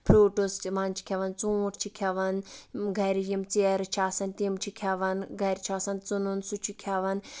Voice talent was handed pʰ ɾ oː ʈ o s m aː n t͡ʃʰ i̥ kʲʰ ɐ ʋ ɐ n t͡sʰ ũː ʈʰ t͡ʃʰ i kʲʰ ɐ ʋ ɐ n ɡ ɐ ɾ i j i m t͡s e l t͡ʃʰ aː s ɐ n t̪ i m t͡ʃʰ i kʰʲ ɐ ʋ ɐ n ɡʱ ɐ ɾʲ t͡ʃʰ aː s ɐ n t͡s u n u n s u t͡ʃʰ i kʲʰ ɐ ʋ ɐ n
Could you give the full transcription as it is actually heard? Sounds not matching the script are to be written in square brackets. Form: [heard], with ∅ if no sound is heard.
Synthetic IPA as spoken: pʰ ɾ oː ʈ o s m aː n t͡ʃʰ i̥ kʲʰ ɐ ʋ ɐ n [t͡s] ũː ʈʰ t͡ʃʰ i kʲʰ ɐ ʋ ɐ n ɡ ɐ ɾ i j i m t͡s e [ɾ] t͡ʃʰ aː s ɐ n t̪ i m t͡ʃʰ i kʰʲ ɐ ʋ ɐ n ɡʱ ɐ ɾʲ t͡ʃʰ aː s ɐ n t͡s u n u n s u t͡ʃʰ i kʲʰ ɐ ʋ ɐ n